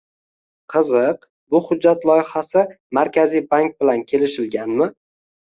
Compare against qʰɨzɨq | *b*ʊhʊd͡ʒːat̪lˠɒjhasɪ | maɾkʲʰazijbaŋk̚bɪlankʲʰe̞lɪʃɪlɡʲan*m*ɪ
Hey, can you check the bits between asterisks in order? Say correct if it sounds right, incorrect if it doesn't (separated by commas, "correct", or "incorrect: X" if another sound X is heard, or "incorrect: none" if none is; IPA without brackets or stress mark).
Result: correct, correct